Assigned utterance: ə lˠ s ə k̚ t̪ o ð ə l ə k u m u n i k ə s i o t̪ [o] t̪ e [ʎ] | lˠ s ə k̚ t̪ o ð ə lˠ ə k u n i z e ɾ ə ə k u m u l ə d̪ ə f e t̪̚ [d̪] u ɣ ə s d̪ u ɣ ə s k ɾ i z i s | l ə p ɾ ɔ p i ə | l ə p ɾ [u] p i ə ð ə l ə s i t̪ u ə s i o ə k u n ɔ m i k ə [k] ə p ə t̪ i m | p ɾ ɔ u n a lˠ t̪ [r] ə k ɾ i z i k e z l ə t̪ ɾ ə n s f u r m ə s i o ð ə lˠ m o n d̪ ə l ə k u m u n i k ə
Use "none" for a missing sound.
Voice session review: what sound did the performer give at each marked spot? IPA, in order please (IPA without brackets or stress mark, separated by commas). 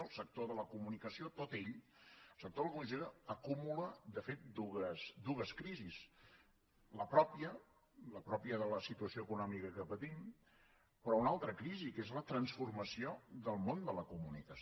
o, ʎ, d̪, ɔ, k, ɾ